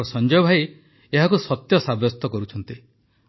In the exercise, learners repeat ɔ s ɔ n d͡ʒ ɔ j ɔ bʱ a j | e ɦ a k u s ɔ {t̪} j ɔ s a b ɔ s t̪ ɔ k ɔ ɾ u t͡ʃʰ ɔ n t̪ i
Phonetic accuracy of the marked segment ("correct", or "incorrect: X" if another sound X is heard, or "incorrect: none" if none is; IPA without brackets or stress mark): correct